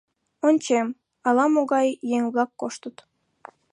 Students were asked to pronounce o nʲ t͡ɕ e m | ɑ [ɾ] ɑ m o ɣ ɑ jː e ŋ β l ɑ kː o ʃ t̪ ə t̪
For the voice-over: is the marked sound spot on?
no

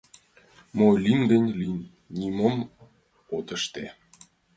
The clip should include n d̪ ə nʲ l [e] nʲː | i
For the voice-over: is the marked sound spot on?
no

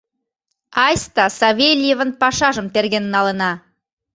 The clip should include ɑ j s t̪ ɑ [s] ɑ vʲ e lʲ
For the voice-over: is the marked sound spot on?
yes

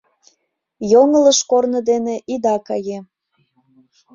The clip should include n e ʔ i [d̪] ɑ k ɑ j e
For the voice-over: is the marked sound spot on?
yes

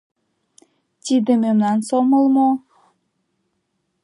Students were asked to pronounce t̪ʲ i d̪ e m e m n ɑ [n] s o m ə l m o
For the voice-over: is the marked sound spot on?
yes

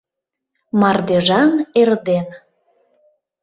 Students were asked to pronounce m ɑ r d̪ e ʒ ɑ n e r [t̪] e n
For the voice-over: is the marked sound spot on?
no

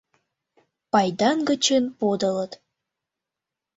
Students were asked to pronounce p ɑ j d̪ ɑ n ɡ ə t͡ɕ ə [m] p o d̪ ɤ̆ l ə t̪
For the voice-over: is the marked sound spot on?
no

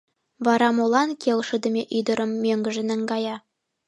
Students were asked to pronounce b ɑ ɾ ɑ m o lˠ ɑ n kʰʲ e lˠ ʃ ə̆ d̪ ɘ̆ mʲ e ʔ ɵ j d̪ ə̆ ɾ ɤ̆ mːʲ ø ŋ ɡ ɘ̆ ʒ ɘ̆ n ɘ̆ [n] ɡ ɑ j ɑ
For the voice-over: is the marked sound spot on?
no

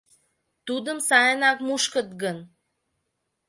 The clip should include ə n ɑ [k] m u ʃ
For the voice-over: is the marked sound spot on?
yes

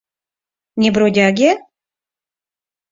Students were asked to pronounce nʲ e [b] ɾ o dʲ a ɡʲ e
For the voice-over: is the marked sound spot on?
yes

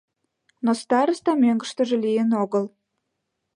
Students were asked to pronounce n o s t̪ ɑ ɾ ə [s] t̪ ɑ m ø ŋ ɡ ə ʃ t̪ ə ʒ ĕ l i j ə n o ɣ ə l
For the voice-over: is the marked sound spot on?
yes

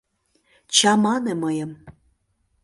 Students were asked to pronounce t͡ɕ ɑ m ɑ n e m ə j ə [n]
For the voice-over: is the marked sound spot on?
no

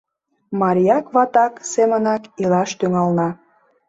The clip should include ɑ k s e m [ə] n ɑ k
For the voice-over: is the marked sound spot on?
yes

